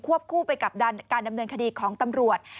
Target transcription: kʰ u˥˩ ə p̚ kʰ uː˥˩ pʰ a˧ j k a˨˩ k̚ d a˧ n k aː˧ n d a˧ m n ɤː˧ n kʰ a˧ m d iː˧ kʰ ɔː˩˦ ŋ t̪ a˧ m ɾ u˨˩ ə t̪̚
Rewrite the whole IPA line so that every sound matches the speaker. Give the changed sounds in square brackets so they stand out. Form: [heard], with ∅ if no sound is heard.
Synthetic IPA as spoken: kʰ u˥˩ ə p̚ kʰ uː˥˩ [p] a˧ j k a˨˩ [p̚] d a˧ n k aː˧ n d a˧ m n ɤː˧ n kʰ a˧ [∅] d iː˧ kʰ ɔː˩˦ ŋ t̪ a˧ m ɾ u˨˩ ə t̪̚